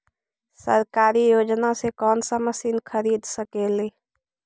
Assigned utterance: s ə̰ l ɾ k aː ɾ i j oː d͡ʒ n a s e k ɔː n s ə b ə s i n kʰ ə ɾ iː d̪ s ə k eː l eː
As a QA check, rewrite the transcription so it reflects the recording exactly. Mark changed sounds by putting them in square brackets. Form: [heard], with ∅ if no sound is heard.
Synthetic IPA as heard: s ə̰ [∅] ɾ k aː ɾ i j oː d͡ʒ n a s e k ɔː n s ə [m] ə s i n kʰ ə ɾ iː d̪ s ə k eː l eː